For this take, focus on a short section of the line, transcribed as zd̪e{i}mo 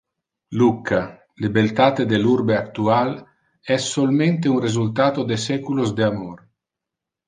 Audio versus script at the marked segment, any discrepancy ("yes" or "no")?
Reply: yes